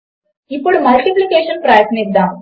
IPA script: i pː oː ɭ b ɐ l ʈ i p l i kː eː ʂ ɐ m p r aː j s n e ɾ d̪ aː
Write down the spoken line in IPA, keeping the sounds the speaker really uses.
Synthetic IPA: i pː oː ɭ m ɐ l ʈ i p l i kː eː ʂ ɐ n p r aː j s n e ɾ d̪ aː